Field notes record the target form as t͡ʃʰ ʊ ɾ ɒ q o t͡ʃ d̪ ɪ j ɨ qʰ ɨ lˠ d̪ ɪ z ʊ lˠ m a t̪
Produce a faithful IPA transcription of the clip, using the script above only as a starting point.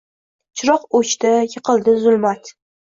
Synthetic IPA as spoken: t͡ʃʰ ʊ ɾ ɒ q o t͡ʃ t̪ ɪ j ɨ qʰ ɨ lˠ d̪ ɪ z ʊ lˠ m a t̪